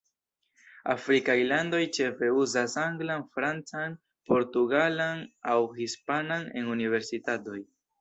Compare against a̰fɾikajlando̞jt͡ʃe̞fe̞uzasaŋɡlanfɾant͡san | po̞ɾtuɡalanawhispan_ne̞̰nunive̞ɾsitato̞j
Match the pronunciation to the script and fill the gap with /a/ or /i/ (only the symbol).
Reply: a